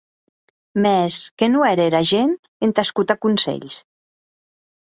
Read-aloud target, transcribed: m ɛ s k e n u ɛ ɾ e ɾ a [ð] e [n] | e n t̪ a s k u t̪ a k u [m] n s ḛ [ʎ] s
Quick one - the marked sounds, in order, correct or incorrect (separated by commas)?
incorrect, correct, incorrect, correct